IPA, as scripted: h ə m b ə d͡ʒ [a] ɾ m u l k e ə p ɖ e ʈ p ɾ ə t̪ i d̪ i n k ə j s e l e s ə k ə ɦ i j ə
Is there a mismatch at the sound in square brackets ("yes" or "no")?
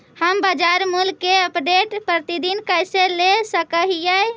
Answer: no